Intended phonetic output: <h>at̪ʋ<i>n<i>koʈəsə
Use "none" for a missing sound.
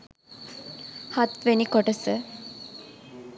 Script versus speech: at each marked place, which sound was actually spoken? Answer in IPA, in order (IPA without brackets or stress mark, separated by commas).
h, e, i